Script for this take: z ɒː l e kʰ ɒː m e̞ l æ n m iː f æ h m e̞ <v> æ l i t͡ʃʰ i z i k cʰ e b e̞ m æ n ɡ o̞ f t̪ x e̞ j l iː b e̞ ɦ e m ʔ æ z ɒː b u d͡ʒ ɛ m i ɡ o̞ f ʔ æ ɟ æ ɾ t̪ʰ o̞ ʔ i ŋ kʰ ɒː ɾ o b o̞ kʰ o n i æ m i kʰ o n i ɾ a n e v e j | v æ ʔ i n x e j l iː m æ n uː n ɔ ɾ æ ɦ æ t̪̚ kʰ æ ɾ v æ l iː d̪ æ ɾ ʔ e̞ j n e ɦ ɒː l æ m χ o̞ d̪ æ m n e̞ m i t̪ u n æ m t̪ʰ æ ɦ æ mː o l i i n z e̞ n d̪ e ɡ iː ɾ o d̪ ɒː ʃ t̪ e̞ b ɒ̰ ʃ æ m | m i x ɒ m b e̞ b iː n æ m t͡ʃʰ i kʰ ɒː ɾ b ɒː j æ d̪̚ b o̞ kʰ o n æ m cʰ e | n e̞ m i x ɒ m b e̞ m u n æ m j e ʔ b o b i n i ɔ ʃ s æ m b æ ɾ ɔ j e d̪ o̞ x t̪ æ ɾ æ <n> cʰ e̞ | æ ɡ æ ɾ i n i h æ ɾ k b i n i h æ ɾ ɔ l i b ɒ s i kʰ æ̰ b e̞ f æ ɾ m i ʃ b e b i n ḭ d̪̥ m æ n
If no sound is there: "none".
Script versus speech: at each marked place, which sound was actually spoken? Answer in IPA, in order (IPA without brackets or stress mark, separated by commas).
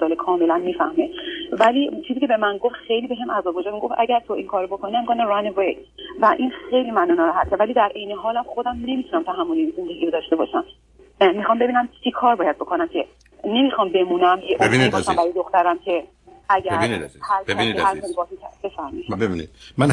v, m